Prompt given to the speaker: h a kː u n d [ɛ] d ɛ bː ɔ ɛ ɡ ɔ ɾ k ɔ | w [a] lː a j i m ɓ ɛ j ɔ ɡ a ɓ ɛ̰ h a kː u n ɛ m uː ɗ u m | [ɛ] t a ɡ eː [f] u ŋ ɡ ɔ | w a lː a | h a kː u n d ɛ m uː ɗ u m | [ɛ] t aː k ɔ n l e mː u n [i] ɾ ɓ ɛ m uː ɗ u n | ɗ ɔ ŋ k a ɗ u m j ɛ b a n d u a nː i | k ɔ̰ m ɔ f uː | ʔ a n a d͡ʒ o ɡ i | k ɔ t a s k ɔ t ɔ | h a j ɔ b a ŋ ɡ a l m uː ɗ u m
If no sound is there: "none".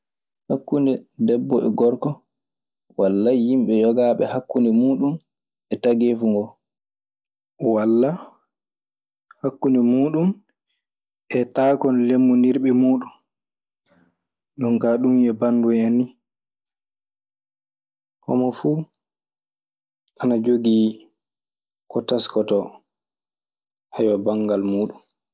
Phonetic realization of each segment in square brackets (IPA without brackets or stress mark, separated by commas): ɛ, a, ɛ, f, ɛ, i